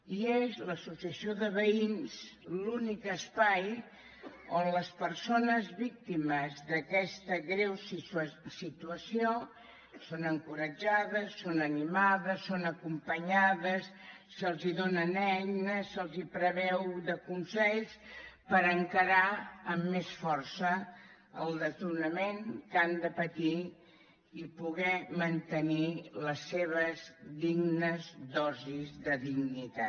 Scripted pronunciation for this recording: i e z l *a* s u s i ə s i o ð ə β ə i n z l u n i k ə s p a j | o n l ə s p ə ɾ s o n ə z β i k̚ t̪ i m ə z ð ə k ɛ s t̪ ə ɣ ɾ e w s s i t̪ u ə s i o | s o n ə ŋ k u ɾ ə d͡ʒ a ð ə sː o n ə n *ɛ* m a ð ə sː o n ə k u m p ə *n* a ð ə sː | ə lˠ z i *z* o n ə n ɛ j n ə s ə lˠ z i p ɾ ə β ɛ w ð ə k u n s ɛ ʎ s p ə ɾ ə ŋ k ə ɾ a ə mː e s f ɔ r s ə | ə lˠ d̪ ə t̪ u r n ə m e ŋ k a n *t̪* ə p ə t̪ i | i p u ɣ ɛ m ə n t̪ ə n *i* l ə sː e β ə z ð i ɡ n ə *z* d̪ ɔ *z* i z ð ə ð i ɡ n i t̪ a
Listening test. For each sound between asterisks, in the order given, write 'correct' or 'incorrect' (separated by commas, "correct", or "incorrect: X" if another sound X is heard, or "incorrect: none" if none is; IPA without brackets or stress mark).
incorrect: ə, incorrect: i, incorrect: ɲ, incorrect: ð, incorrect: d̪, correct, correct, correct